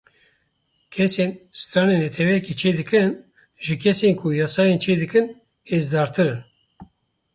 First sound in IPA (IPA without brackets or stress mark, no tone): kʰ